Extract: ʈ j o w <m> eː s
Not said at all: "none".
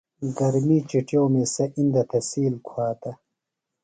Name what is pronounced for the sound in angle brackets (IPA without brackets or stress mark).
m